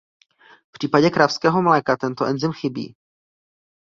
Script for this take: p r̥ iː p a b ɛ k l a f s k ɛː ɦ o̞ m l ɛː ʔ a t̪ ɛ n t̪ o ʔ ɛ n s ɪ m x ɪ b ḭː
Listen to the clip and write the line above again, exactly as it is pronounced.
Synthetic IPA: p r̥ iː p a ɟ ɛ k ɾ a f s k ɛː ɦ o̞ m l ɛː k a t̪ ɛ n t̪ o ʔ ɛ n z ɪ m x ɪ b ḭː

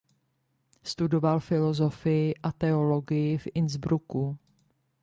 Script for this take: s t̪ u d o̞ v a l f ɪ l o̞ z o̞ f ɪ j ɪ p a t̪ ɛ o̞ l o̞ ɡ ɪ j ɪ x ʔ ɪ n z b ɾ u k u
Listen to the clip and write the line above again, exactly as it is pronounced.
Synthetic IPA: s t̪ u d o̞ v a l f ɪ l o̞ z o̞ f ɪ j ɪ ʔ a t̪ ɛ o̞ l o̞ ɡ ɪ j ɪ f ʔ ɪ n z b ɾ u k u

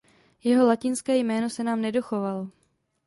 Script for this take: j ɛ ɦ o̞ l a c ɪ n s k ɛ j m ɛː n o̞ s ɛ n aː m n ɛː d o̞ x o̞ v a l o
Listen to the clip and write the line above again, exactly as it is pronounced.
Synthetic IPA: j ɛ ɦ o̞ l a c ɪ n s k ɛː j m ɛː n o̞ s ɛ n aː m n ɛ d o̞ x o̞ v a l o

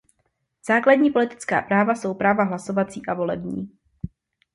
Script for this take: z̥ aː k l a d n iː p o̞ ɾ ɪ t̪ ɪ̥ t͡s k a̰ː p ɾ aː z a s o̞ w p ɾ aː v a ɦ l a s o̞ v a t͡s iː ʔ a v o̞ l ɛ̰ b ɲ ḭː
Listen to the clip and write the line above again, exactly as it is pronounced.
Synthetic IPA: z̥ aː k l a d ɲ iː p o̞ l ɪ t̪ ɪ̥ t͡s k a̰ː p ɾ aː v a s o̞ w p ɾ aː v a ɦ l a s o̞ v a t͡s iː ʔ a v o̞ l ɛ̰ b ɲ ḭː

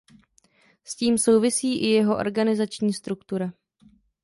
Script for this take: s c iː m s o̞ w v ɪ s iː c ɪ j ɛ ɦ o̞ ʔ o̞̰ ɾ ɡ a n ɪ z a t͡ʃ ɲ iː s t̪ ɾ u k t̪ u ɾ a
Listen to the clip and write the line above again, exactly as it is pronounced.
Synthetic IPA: s c iː m s o̞ w v ɪ s iː ʔ ɪ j ɛ ɦ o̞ ʔ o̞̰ ɾ ɡ a n ɪ z a t͡ʃ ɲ iː s t̪ ɾ u k t̪ u ɾ a

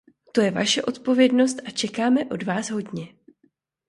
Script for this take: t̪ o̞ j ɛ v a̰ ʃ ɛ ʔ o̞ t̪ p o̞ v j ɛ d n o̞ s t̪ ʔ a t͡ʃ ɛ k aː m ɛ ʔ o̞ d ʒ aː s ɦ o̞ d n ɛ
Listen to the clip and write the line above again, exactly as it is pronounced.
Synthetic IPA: t̪ o̞ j ɛ v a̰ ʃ ɛ ʔ o̞ t̪ p o̞ v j ɛ d n o̞ s t̪ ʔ a t͡ʃ ɛ k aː m ɛ ʔ o̞ d v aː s ɦ o̞ d ɲ ɛ

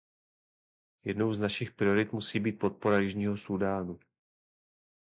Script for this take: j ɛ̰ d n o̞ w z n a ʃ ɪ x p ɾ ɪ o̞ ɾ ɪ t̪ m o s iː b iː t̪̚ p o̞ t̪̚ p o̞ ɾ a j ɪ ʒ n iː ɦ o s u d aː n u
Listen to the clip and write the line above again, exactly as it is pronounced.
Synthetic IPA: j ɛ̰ d n o̞ w z n a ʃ ɪ x p ɾ ɪ o̞ ɾ ɪ t̪ m u s iː b iː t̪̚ p o̞ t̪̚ p o̞ ɾ a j ɪ ʒ ɲ iː ɦ o s u d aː n u

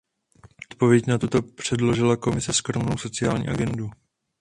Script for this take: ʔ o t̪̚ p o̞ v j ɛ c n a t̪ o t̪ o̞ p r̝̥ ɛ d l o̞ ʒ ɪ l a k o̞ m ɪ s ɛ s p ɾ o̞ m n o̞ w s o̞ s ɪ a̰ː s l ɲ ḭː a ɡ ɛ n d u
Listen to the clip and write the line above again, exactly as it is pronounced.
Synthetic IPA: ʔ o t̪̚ p o̞ v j ɛ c n a t̪ u t̪ o̞ p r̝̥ ɛ d l o̞ ʒ ɪ l a k o̞ m ɪ s ɛ s k ɾ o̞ m n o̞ w s o̞ t͡s ɪ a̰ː l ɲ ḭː a ɡ ɛ n d u

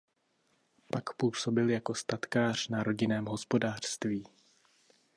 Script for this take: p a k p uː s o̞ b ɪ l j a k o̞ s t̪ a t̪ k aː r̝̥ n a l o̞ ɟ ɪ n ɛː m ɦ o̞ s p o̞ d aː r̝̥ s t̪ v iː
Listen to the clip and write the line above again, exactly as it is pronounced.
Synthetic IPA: p a k p uː s o̞ b ɪ l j a k o̞ s t̪ a t̪ k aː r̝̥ n a ɾ o̞ ɟ ɪ n ɛː m ɦ o̞ s p o̞ d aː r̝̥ s t̪ v iː

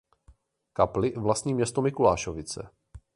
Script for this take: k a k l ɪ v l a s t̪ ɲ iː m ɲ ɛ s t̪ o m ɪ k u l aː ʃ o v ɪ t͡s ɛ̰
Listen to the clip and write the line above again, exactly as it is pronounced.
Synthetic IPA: k a p l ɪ v l a s t̪ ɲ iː m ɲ ɛ s t̪ o m ɪ k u l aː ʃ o v ɪ t͡s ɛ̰

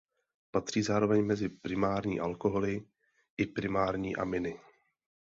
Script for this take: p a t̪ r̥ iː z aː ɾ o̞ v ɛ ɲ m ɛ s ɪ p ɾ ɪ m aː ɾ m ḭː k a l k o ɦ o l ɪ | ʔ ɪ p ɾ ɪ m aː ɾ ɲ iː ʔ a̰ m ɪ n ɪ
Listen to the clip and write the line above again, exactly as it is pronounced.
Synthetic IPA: p a t̪ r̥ iː z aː ɾ o̞ v ɛ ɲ m ɛ z ɪ p ɾ ɪ m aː ɾ ɲ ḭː ʔ a l k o ɦ o l ɪ | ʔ ɪ p ɾ ɪ m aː ɾ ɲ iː ʔ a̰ m ɪ n ɪ

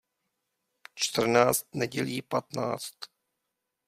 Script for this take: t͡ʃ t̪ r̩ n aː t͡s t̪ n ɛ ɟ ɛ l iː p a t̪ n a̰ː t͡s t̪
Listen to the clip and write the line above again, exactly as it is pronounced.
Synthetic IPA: t͡ʃ t̪ r̩ n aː t͡s t̪ n ɛ ɟ ɛ l iː p a t̪ n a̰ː t͡s t̪

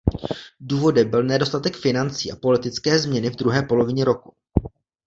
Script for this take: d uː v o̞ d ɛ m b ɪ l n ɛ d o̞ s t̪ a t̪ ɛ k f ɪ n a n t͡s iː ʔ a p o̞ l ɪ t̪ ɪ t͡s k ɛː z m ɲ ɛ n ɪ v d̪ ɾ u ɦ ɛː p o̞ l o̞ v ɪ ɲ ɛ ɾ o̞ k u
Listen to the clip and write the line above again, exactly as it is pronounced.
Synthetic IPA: d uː v o̞ d ɛ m b ɪ l n ɛ d o̞ s t̪ a t̪ ɛ k f ɪ n a n t͡s iː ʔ a p o̞ l ɪ t̪ ɪ t͡s k ɛː z m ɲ ɛ n ɪ v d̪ ɾ u ɦ ɛː p o̞ l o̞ v ɪ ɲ ɛ ɾ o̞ k u

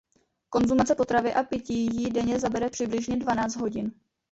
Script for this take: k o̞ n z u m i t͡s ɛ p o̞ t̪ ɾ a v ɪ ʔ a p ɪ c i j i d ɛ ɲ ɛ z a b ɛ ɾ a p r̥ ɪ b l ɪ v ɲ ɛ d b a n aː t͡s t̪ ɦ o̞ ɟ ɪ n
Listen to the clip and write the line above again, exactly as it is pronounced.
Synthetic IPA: k o̞ n z u m a t͡s ɛ p o̞ t̪ ɾ a v ɪ ʔ a p ɪ c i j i d ɛ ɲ ɛ z a b ɛ ɾ ɛ p r̥ ɪ b l ɪ ʒ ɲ ɛ d v a n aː t͡s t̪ ɦ o̞ ɟ ɪ n

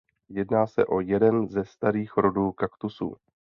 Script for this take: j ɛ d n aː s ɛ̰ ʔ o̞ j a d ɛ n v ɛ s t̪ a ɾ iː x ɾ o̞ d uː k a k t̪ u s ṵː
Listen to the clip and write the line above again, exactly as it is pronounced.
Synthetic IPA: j ɛ d n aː s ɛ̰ ʔ o̞ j ɛ d ɛ n z ɛ s t̪ a ɾ iː x ɾ o̞ d uː k a k t̪ u s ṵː

